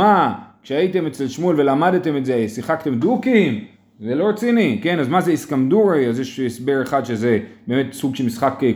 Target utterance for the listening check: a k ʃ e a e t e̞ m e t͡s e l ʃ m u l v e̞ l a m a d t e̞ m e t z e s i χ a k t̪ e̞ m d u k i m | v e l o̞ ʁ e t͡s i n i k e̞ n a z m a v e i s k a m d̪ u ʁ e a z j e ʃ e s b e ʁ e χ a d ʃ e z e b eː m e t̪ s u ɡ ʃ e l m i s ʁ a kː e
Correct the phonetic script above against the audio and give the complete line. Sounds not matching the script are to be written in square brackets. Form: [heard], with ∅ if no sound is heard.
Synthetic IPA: a k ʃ e a [i] t e̞ m e t͡s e l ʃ m u l v e̞ l a m a d t e̞ m e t z e s i χ a k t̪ e̞ m d u k i m | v e l o̞ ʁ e t͡s i n i k e̞ n a z m a [z] e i s k a m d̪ u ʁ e a z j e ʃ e s b e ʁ e χ a d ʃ e z e b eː m e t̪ s u ɡ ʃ e l m i s [χ] a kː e